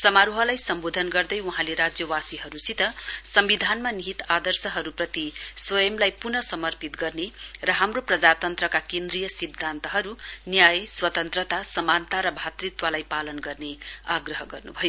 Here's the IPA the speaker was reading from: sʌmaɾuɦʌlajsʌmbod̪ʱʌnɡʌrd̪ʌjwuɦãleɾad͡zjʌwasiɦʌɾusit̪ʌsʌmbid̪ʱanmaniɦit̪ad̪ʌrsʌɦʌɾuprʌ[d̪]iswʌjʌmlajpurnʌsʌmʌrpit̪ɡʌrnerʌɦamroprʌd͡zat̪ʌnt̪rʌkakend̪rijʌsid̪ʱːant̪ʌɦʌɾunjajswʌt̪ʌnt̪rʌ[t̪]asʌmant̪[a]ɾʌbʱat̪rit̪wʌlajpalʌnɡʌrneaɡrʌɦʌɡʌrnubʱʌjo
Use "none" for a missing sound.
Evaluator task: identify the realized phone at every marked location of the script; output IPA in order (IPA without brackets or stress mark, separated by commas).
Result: t̪, t̪, a